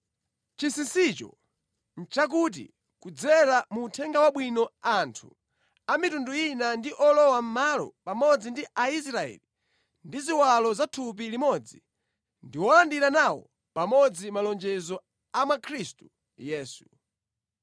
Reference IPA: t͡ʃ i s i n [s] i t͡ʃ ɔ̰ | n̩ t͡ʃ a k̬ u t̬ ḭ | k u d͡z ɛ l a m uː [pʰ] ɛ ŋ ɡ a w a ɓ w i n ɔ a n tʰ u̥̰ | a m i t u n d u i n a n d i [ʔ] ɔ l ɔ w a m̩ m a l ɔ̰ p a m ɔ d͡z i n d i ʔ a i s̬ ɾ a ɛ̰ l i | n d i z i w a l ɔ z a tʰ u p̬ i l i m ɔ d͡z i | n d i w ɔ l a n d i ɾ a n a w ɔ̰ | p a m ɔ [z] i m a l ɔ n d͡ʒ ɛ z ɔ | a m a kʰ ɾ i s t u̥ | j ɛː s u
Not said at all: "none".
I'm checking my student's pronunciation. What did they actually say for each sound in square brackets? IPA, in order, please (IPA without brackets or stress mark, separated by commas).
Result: s, tʰ, ʔ, d͡z